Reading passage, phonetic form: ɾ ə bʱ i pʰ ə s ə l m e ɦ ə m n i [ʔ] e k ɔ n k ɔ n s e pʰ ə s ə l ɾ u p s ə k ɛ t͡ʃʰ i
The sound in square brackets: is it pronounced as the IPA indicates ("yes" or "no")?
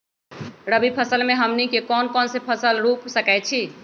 no